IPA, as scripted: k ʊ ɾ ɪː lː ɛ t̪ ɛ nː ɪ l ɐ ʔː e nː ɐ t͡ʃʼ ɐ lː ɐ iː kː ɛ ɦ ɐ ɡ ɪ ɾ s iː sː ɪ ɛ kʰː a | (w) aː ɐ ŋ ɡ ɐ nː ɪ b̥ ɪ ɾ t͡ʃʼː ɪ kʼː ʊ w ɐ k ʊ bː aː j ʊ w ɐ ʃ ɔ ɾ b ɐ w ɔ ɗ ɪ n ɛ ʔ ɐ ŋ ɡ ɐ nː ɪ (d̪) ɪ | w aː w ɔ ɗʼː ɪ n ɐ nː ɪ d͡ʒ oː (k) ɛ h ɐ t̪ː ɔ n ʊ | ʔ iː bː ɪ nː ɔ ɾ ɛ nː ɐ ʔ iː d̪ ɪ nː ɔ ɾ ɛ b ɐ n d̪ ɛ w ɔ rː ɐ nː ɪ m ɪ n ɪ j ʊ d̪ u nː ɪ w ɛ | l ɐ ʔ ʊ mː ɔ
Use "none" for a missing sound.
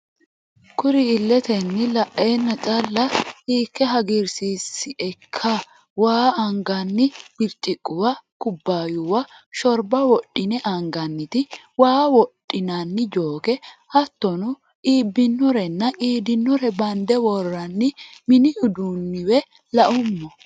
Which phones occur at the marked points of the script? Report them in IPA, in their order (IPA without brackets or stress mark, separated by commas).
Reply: w, t̪, k